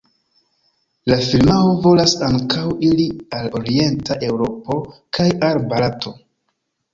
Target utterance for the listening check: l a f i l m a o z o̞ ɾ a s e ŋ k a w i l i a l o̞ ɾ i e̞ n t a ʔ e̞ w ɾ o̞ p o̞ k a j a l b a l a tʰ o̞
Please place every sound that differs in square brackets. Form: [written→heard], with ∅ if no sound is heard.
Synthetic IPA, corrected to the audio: l a f i l m a o [z→v] o̞ [ɾ→l] a s [e→a] ŋ k a w i l i a l o̞ ɾ i e̞ n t a ʔ e̞ w ɾ o̞ p o̞ k a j a l b a l a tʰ o̞